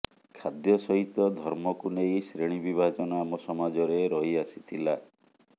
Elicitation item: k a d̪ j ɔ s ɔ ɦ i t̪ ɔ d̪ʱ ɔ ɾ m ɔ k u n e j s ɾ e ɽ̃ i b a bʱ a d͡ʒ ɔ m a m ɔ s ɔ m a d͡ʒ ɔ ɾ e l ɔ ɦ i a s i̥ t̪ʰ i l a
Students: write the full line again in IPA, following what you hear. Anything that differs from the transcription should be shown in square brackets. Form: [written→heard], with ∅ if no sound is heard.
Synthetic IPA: [k→kʰ] a d̪ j ɔ s ɔ ɦ i t̪ ɔ d̪ʱ ɔ ɾ m ɔ k u n e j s ɾ e ɽ̃ i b [a→i] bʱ a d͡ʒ ɔ [m→n] a m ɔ s ɔ m a d͡ʒ ɔ ɾ e [l→ɾ] ɔ ɦ i a s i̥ t̪ʰ i l a